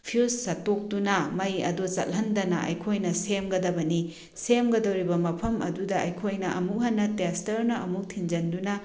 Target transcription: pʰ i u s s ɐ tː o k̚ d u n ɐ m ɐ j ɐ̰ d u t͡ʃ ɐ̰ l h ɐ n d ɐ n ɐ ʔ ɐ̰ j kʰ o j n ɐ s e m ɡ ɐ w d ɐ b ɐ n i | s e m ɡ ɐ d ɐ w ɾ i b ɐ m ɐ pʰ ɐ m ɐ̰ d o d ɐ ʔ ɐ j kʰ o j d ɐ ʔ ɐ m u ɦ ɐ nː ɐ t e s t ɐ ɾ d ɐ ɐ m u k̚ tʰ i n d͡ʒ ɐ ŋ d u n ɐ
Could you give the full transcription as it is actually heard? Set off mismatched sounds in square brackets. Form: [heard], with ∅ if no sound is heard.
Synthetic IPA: pʰ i u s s ɐ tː o k̚ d u n ɐ m ɐ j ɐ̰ d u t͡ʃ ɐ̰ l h ɐ n d ɐ n ɐ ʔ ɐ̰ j kʰ o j n ɐ s e m ɡ ɐ [∅] d ɐ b ɐ n i | s e m ɡ ɐ d ɐ w ɾ i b ɐ m ɐ pʰ ɐ m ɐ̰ d [u] d ɐ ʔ ɐ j kʰ o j [n] ɐ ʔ ɐ m u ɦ ɐ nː ɐ t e s t ɐ ɾ [n] ɐ ɐ m u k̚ tʰ i n d͡ʒ ɐ [n] d u n ɐ